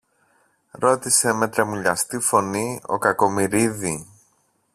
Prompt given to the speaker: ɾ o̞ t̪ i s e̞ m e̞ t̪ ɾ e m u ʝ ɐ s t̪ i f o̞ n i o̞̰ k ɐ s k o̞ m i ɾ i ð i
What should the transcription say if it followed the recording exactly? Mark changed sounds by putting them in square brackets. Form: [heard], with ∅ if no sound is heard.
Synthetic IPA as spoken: ɾ o̞ t̪ i s e̞ m e̞ t̪ ɾ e m u [ʎ] ɐ s t̪ i f o̞ n i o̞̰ k ɐ [∅] k o̞ m i ɾ i ð i